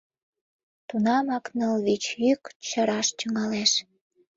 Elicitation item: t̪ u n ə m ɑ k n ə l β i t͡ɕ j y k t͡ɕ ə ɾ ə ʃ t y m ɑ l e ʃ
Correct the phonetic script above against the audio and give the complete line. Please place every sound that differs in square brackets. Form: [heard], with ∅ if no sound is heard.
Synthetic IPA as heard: t̪ u n [ɑ] m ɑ k n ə l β i t͡ɕ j y k t͡ɕ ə ɾ [ɑ] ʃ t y [ŋ] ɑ l e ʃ